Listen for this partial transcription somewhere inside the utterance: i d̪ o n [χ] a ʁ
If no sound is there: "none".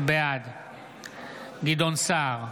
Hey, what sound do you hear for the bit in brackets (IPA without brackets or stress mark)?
s